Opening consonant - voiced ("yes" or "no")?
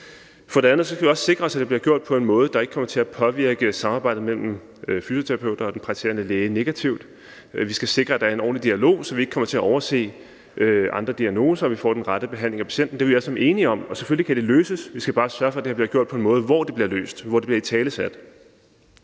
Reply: no